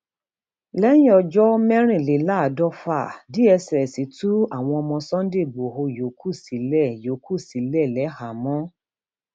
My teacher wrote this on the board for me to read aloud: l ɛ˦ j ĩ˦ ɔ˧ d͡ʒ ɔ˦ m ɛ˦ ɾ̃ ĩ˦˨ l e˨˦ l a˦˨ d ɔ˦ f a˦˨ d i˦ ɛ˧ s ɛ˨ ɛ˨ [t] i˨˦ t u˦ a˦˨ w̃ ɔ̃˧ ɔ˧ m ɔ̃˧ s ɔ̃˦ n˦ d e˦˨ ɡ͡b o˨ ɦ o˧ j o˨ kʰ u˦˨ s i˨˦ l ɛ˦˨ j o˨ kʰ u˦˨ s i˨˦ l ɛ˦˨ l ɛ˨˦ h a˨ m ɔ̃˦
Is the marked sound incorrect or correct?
incorrect